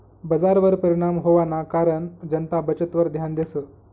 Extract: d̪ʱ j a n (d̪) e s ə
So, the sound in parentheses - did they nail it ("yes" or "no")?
yes